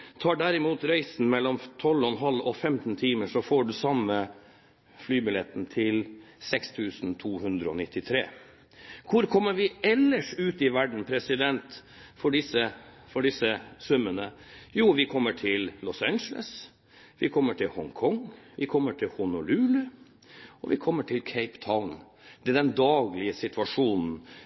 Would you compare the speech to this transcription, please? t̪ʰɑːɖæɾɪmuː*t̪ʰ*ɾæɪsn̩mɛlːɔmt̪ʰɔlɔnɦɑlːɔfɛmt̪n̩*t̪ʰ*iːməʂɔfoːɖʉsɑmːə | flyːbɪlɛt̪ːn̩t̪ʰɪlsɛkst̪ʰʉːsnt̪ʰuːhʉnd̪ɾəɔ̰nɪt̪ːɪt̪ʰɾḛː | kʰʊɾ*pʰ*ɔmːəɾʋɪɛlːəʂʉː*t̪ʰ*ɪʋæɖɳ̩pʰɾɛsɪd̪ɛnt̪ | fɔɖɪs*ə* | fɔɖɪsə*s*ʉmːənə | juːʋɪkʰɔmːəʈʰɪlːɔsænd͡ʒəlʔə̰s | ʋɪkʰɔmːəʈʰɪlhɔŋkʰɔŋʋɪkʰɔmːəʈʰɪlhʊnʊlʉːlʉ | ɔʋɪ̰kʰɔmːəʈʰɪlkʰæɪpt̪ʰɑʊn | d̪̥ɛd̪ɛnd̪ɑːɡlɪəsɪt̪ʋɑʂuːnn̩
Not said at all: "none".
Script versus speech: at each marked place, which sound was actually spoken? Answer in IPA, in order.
t̪, t̪ʰ, kʰ, t̪, ə, s

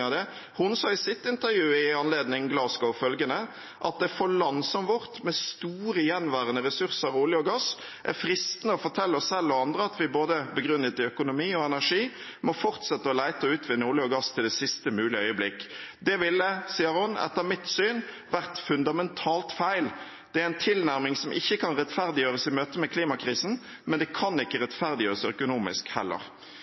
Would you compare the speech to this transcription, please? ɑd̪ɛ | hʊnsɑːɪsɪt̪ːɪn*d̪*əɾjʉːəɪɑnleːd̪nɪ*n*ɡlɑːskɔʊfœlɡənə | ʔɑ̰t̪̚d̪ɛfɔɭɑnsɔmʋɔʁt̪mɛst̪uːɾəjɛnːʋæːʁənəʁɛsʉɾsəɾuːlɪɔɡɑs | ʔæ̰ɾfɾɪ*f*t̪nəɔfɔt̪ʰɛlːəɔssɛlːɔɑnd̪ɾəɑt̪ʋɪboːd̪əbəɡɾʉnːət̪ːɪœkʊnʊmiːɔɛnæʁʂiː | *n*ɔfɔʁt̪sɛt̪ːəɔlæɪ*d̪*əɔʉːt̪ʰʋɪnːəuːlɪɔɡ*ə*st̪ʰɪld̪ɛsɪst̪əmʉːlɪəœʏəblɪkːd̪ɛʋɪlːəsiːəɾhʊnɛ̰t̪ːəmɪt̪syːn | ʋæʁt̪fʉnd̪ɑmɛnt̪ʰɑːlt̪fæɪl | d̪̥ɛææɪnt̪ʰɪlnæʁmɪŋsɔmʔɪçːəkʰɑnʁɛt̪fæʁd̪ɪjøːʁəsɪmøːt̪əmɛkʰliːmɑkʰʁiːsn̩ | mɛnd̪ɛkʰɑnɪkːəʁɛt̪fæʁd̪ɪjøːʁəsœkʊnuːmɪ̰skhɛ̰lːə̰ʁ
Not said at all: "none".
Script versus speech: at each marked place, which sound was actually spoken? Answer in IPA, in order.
t̪, ŋ, s, m, t̪, ɑ

